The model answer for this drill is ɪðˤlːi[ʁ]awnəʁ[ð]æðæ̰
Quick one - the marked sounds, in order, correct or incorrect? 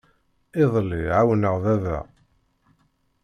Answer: incorrect, correct

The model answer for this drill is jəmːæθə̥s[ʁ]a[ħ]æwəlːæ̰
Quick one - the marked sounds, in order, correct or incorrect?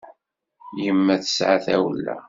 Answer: incorrect, incorrect

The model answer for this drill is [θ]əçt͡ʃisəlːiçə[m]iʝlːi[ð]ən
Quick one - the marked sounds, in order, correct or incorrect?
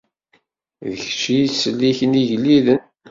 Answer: incorrect, incorrect, correct

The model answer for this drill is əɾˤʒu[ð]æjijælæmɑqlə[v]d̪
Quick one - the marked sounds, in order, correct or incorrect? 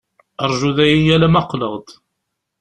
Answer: correct, incorrect

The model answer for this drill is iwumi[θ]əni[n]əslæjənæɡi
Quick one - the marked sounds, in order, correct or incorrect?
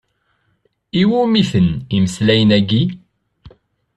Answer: correct, incorrect

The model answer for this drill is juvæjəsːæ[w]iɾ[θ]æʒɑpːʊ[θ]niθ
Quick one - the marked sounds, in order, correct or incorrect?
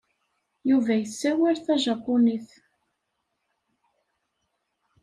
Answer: correct, correct, incorrect

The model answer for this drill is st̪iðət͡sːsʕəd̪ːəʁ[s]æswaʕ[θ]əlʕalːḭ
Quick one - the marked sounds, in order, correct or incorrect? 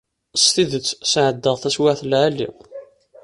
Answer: incorrect, correct

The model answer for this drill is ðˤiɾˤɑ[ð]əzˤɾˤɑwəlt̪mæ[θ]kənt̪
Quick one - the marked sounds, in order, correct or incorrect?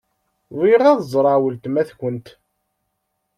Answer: correct, correct

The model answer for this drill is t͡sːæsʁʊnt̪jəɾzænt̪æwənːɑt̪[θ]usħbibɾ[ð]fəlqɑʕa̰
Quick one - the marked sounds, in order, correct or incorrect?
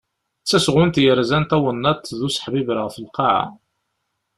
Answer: incorrect, incorrect

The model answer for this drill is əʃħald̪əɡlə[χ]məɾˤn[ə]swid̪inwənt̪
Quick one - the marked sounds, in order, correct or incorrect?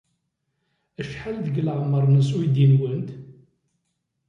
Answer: incorrect, correct

